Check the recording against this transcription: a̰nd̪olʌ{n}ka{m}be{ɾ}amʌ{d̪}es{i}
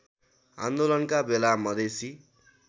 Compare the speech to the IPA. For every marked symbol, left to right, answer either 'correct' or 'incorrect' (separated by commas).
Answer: correct, incorrect, incorrect, correct, correct